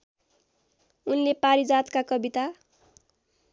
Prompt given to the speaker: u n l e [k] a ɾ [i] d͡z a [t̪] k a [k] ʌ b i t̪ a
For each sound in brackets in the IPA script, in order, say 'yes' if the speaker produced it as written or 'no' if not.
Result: no, yes, yes, yes

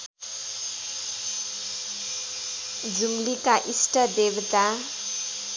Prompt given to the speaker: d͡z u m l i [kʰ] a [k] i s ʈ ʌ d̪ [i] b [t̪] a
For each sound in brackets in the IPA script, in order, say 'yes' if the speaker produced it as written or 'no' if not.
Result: no, no, no, yes

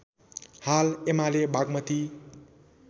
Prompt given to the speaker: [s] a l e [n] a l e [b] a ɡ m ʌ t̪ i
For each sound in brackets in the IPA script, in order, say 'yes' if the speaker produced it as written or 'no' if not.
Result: no, no, yes

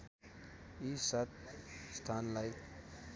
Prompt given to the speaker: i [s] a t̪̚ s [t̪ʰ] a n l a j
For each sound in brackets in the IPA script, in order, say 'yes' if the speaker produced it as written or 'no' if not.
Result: yes, yes

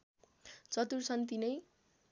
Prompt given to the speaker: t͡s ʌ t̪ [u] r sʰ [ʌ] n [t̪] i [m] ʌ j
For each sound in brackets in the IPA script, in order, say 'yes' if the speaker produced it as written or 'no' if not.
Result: yes, yes, yes, no

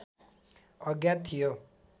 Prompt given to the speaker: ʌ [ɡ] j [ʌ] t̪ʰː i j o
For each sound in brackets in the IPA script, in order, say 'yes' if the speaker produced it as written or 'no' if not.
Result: yes, no

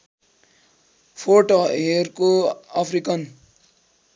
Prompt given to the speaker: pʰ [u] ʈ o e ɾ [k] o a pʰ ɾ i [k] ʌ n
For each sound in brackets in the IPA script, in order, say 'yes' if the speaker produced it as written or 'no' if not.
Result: no, yes, yes

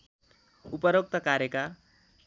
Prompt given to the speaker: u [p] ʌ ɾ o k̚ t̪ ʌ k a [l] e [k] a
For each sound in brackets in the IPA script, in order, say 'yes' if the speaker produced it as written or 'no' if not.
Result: yes, no, yes

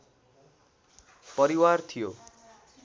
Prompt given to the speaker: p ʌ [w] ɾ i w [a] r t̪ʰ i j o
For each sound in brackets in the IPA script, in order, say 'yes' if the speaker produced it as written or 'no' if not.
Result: no, yes

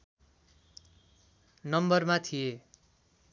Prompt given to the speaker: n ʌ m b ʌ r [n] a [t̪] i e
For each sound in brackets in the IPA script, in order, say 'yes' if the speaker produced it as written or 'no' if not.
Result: no, no

